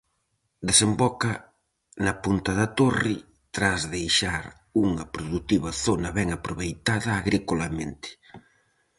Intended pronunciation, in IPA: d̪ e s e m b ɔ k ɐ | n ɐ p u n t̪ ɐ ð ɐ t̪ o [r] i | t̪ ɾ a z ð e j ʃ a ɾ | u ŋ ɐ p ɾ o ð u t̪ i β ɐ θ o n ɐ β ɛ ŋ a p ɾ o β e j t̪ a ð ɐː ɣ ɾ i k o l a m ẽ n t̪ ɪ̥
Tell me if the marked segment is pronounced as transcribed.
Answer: yes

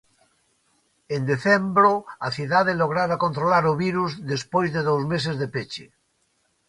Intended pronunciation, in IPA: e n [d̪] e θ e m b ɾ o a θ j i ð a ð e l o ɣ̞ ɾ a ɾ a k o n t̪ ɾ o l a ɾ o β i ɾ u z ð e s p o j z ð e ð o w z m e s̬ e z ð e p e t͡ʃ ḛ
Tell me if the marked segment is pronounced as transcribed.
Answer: yes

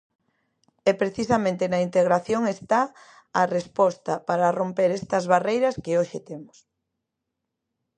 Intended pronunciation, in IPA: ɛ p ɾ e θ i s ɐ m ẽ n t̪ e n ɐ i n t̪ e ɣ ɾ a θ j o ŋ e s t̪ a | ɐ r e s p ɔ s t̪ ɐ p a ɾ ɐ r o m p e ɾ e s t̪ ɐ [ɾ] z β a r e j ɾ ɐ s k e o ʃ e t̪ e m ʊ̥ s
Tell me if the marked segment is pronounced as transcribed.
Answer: no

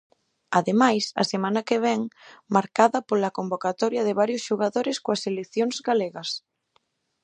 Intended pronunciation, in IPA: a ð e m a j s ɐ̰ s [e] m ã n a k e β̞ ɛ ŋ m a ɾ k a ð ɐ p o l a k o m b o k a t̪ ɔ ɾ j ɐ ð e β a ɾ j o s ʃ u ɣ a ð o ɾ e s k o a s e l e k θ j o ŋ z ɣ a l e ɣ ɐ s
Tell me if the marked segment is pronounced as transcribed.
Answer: yes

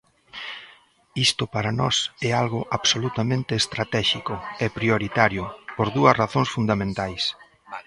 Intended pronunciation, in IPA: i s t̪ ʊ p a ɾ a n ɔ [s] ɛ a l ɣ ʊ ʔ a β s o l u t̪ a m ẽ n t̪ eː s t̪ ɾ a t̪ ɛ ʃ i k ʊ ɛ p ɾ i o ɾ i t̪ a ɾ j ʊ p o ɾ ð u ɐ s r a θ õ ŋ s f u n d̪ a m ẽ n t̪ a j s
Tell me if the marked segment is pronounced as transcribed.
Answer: yes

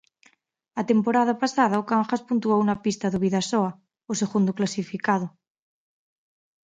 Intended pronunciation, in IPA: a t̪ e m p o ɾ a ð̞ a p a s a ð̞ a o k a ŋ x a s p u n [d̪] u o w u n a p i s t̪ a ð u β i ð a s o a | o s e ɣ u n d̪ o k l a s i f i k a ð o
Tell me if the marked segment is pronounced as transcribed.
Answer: no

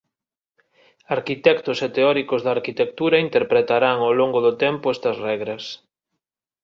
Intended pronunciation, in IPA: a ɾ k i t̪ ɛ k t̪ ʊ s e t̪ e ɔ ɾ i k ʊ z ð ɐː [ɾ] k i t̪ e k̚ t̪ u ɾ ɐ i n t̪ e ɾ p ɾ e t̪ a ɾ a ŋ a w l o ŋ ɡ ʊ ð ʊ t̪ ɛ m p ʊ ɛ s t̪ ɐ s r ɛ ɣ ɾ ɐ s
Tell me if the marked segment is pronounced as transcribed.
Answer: yes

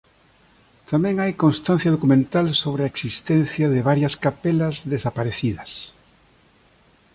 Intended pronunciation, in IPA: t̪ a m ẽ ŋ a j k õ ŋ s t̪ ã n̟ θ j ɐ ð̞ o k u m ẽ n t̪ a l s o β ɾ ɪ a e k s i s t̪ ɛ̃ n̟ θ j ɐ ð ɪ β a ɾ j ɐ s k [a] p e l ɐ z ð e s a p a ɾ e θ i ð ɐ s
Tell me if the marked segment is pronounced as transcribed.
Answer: yes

